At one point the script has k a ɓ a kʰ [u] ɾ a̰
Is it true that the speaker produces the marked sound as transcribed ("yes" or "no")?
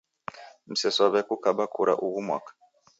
yes